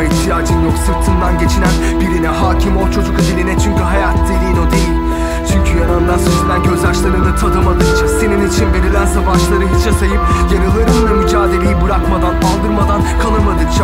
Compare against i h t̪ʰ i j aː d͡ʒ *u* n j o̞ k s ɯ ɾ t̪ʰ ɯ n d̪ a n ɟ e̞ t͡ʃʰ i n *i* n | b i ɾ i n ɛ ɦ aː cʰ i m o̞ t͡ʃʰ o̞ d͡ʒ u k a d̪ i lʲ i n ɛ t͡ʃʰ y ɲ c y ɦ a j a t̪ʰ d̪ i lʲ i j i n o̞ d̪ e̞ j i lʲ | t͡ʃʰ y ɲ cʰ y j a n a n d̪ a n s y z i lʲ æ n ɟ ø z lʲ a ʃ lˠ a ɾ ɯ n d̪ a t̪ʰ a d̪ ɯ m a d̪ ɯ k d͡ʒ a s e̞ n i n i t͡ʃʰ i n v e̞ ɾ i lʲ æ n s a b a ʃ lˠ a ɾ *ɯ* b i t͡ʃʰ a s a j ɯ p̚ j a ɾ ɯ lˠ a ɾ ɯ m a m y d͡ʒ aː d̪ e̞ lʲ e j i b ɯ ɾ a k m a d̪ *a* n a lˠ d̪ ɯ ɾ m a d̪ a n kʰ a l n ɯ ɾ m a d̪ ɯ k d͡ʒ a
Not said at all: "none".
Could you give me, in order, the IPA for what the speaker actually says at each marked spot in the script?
ɯ, æ, ɯ, a

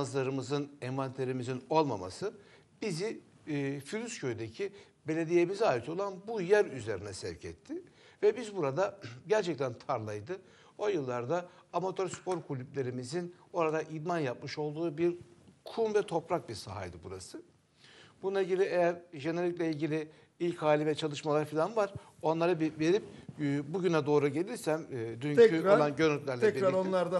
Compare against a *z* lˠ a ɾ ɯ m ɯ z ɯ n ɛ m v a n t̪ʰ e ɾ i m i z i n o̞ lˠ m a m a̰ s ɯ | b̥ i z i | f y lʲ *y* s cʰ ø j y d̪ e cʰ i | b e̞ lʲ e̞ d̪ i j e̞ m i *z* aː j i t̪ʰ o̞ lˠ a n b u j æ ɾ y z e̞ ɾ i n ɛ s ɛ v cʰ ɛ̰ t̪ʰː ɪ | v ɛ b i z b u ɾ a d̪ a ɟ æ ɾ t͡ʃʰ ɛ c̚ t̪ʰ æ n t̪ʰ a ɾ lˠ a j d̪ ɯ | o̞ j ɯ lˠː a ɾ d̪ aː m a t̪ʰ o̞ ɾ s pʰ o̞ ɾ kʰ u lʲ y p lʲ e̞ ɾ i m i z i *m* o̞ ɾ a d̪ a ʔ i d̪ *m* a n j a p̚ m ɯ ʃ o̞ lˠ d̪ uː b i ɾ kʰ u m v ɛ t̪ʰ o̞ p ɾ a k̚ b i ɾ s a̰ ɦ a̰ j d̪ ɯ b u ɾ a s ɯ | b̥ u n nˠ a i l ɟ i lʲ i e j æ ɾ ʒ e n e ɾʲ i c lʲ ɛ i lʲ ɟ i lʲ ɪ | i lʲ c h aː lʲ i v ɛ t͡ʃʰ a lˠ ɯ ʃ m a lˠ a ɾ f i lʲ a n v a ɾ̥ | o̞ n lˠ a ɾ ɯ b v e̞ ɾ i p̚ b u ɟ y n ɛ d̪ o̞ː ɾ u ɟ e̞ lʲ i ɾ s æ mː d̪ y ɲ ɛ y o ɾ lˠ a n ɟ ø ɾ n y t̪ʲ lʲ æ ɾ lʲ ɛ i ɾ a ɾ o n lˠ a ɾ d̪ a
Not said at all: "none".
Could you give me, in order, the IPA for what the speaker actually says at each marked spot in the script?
z, y, z, n, m

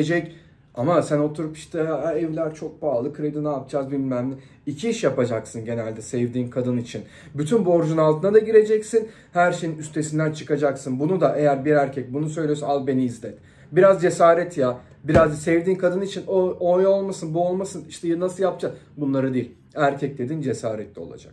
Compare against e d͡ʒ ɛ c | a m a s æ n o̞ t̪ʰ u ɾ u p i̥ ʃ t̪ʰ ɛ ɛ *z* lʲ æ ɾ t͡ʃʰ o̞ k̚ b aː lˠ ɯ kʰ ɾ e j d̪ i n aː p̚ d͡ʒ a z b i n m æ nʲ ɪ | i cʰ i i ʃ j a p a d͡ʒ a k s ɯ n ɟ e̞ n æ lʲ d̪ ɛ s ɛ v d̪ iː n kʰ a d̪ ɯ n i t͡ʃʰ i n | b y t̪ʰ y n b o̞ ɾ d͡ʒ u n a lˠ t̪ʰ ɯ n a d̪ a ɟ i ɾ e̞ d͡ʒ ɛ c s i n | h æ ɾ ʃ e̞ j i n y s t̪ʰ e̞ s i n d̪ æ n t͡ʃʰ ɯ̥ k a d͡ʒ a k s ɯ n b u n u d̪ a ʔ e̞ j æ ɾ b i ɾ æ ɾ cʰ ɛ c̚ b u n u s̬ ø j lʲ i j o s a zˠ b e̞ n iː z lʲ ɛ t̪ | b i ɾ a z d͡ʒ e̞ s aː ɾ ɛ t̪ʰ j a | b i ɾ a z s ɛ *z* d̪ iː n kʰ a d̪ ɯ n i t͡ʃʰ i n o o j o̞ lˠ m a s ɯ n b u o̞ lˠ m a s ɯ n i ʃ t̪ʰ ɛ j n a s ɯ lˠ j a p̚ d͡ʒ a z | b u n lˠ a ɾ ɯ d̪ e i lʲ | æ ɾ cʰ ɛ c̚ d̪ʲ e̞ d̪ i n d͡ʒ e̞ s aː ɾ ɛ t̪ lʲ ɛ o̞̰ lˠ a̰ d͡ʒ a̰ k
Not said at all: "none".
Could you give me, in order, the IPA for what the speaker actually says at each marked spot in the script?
v, v

